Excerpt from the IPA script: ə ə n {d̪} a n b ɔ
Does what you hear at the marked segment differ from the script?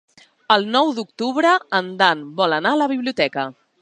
no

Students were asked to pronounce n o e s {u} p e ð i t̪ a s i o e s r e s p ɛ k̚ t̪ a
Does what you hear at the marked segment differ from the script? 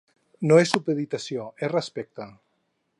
no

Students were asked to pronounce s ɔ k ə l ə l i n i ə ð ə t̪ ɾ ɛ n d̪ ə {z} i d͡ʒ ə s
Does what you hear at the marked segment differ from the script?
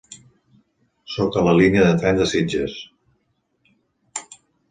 yes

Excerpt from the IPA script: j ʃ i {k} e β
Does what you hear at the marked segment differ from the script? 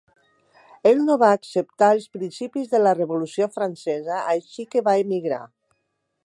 no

